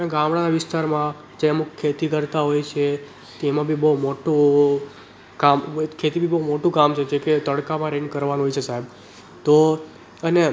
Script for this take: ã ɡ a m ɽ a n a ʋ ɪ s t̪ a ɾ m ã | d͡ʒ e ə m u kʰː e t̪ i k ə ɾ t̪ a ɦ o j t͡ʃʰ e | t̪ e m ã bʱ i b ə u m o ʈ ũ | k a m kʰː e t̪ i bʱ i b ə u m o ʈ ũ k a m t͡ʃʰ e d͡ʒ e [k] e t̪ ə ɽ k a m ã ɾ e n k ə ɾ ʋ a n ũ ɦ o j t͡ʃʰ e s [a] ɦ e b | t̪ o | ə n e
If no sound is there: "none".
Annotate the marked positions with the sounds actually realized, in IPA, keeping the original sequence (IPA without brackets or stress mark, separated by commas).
k, a